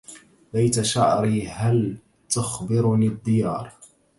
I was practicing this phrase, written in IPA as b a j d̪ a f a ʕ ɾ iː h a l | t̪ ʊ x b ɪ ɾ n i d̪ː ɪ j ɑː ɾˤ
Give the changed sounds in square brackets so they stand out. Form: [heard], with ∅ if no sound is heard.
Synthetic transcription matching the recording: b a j [t̪] a [ʃ] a ʕ ɾ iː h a l | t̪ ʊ x b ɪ ɾ n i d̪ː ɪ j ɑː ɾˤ

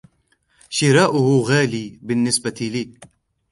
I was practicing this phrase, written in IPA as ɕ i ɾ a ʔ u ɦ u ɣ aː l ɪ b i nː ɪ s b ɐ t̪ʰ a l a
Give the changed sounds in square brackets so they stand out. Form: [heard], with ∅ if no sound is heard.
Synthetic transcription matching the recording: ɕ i ɾ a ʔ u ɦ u ɣ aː l [i] b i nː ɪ s b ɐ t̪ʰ [i] l [i]

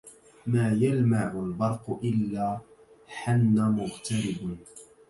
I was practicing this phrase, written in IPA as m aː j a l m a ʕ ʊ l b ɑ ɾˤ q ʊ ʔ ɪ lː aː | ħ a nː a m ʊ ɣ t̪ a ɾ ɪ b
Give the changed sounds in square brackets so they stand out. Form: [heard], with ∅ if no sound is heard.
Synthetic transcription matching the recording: m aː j a l m a ʕ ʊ l b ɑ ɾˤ q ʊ ʔ ɪ lː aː | ħ a nː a m ʊ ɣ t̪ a ɾ ɪ b

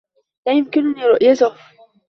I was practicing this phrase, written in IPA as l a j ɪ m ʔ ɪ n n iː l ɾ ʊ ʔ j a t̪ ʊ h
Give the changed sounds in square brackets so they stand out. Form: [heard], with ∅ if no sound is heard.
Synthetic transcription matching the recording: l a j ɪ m [k] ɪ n n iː [∅] ɾ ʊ ʔ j a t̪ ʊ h

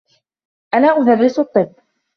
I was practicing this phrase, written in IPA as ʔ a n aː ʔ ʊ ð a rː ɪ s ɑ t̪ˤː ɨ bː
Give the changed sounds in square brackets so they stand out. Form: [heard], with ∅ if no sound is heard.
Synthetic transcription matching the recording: ʔ a n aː ʔ ʊ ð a rː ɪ s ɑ t̪ˤː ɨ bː

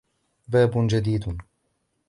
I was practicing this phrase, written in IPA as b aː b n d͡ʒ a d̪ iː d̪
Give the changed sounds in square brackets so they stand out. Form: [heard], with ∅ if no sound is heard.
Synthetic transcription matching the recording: b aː b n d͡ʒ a d̪ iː d̪

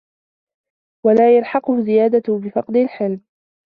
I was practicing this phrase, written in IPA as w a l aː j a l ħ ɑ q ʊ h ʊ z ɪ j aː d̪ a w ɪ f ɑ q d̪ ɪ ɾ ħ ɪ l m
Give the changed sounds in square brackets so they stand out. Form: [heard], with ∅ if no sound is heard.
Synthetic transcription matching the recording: w a l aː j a l ħ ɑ q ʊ h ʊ z ɪ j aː d̪ a [b] ɪ f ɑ q d̪ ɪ [l] ħ ɪ l m

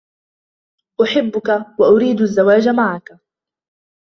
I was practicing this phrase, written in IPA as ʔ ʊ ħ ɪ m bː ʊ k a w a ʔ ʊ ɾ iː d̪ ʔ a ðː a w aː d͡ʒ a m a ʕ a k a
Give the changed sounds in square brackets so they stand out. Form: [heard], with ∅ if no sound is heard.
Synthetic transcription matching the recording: ʔ ʊ ħ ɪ [∅] bː ʊ k a w a ʔ ʊ ɾ iː d̪ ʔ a [zː] a w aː d͡ʒ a m a ʕ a k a

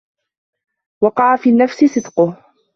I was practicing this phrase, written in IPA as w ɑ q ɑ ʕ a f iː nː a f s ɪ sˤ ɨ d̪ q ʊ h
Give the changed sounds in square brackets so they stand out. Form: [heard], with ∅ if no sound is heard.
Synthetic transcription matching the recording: w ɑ q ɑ ʕ a f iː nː a f s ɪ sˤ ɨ d̪ q ʊ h

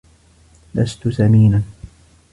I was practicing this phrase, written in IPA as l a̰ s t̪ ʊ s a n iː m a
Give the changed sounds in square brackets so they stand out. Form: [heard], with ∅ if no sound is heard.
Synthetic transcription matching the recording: l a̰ s t̪ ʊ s a [m] iː [n] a

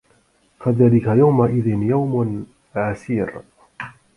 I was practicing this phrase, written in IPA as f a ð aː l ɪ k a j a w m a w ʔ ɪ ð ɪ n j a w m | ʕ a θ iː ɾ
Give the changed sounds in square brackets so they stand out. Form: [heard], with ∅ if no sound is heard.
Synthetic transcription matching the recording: f a ð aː l ɪ k a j a w m a [∅] ʔ ɪ ð ɪ n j a w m | ʕ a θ iː ɾ

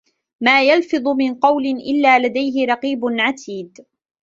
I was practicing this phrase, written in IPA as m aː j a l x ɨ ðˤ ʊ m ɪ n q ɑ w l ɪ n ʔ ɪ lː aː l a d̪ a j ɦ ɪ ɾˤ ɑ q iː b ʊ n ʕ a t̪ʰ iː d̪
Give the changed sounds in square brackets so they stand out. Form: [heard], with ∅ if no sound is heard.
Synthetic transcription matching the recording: m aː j a l [f] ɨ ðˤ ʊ m ɪ n q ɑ w l ɪ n ʔ ɪ lː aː l a d̪ a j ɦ ɪ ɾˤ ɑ q iː b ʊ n ʕ a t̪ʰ iː d̪

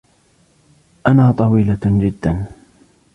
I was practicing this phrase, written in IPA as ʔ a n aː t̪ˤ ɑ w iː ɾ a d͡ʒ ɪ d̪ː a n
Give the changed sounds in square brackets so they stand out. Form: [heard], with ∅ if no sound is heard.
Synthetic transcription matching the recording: ʔ a n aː t̪ˤ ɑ w iː [l] a d͡ʒ ɪ d̪ː a n

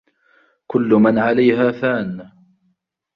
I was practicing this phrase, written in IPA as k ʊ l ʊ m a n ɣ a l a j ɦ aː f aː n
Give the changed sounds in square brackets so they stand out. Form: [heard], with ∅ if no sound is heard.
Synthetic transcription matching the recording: k ʊ [lː] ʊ m a n [ʕ] a l a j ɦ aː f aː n

